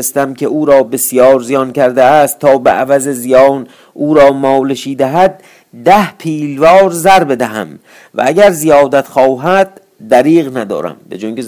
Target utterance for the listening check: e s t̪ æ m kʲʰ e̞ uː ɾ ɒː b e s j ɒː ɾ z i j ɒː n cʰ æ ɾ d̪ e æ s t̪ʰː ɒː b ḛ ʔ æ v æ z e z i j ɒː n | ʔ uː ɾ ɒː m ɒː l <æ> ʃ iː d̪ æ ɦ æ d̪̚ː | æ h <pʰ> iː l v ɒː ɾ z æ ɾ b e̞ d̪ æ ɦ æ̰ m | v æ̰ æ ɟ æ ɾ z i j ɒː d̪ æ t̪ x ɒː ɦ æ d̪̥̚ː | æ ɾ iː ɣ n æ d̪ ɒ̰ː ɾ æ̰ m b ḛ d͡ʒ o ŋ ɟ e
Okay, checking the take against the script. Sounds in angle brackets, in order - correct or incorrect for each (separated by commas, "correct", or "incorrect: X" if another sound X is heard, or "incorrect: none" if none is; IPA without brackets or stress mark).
incorrect: e, correct